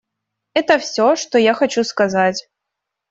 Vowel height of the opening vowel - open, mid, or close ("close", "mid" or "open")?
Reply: mid